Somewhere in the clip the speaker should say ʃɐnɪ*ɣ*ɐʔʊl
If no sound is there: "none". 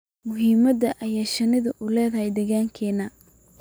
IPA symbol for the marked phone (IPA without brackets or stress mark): ð